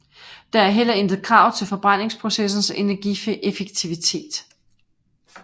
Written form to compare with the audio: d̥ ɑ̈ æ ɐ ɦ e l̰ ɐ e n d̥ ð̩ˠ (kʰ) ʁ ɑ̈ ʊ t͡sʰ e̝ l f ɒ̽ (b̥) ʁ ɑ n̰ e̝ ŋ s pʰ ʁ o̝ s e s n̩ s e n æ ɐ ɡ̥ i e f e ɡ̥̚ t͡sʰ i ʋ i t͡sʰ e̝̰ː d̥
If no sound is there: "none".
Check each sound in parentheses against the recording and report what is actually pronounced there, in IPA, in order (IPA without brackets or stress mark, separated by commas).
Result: kʰ, b̥